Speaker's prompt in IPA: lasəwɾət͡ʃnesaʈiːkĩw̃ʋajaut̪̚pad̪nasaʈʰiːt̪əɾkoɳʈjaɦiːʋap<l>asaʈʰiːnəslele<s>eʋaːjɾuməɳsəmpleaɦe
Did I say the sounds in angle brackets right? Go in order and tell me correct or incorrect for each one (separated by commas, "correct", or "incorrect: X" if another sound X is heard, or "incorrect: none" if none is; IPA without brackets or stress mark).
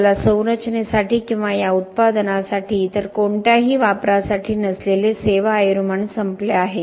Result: incorrect: ɾ, correct